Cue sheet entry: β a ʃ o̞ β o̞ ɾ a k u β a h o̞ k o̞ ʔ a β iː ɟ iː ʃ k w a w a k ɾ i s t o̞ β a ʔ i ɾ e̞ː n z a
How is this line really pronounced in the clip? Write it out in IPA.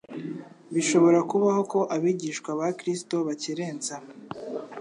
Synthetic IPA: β i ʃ o̞ β o̞ ɾ a k u β a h o̞ k o̞ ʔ a β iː ɟ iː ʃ k w a β a k ɾ i s t o̞ β a c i ɾ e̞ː n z a